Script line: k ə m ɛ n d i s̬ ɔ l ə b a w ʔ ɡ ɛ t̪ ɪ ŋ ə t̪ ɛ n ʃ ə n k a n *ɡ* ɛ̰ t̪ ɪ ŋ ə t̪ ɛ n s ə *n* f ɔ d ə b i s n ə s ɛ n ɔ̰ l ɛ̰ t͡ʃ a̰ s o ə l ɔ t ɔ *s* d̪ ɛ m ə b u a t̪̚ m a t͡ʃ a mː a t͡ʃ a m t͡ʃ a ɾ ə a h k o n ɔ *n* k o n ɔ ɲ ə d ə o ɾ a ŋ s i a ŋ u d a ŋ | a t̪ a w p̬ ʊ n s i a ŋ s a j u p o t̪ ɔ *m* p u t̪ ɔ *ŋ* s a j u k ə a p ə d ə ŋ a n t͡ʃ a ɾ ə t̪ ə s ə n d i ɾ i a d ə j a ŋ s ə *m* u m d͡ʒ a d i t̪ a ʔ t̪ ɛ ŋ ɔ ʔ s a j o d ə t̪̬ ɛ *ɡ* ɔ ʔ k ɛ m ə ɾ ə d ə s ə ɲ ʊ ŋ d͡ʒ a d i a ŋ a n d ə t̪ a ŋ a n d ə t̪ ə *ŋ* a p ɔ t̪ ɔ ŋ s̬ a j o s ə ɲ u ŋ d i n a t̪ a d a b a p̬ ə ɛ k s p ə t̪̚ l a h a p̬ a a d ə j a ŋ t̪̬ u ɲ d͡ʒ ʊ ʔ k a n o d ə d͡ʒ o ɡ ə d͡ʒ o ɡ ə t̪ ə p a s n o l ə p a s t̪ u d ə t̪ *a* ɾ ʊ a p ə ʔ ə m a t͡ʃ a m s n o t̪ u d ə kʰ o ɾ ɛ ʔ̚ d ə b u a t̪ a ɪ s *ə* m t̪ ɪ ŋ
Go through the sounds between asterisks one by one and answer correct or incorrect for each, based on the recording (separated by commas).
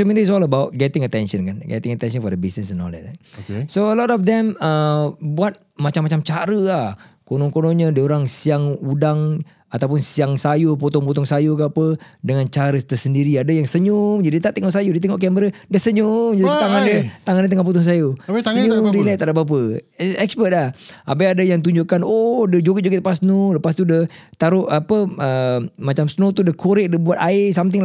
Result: correct, correct, incorrect, incorrect, incorrect, correct, incorrect, incorrect, correct, correct, incorrect